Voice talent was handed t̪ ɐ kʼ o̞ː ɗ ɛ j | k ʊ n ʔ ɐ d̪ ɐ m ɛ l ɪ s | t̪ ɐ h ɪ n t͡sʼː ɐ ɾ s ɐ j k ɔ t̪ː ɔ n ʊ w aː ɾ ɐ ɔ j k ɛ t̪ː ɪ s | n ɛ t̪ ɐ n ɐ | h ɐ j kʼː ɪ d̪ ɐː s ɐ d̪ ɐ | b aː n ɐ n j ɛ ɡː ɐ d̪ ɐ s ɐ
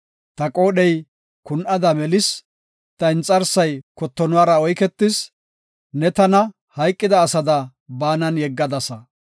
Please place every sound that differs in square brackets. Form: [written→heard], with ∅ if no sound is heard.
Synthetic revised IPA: t̪ ɐ kʼ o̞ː ɗ ɛ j | k ʊ n ʔ ɐ d̪ ɐ m ɛ l ɪ s | t̪ ɐ [h→∅] ɪ n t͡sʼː ɐ ɾ s ɐ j k ɔ t̪ː ɔ n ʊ w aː ɾ ɐ ɔ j k ɛ t̪ː ɪ s | n ɛ t̪ ɐ n ɐ | h ɐ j kʼː ɪ d̪ ɐː s ɐ d̪ ɐ | b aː n ɐ n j ɛ ɡː ɐ d̪ ɐ s ɐ